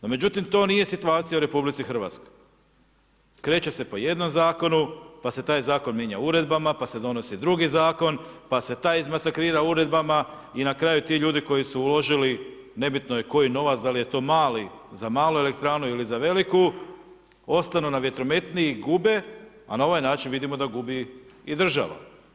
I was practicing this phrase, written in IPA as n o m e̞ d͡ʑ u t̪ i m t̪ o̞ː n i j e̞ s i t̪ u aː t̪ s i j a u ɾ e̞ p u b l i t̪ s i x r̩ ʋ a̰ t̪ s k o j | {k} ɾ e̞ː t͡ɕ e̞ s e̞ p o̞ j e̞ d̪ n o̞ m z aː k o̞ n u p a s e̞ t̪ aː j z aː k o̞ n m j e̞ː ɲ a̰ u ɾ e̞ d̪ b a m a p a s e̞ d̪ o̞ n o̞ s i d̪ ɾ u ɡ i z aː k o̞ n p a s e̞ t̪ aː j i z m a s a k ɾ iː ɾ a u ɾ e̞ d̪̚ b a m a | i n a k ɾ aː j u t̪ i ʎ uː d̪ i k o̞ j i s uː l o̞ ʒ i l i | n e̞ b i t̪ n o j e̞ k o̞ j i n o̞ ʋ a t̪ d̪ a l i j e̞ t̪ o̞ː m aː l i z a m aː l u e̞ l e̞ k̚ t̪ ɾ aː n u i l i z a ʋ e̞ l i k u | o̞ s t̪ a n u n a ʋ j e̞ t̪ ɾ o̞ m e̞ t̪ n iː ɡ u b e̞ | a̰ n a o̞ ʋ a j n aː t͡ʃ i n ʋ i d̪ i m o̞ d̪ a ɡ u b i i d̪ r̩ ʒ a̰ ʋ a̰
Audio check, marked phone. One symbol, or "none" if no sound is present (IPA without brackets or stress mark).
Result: k